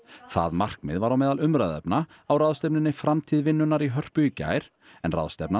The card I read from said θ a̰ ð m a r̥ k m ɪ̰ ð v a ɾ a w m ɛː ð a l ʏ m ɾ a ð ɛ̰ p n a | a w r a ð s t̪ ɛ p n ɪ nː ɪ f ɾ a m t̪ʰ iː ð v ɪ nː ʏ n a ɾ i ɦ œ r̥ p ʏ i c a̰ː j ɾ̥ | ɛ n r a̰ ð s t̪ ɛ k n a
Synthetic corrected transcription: θ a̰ ð m a r̥ k m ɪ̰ ð v a ɾ a w m ɛː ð a l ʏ m ɾ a ð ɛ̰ p n a | a w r a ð s t̪ ɛ p n ɪ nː ɪ f ɾ a m t̪ʰ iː ð v ɪ nː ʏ n a ɾ i ɦ œ r̥ p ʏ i c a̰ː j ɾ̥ | ɛ n r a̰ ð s t̪ ɛ p n a